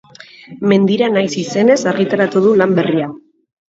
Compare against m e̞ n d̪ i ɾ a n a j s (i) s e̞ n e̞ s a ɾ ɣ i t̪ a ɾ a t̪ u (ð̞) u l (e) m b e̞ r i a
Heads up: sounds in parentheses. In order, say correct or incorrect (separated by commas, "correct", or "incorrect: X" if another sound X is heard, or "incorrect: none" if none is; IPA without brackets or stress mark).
correct, correct, incorrect: a